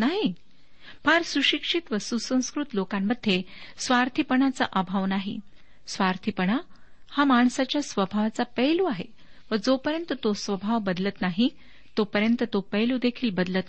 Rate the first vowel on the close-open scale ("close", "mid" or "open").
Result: open